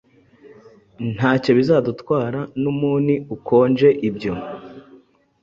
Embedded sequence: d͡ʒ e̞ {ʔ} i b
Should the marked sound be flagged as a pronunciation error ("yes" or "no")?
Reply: no